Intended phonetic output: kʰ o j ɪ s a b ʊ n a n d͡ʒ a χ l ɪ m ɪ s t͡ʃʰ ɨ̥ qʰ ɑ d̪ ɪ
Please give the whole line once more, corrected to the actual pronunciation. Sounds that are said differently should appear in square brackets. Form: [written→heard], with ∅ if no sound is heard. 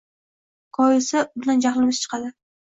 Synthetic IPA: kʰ [o→ɒ] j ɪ s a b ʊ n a n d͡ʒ a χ l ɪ m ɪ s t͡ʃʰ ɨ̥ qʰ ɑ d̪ ɪ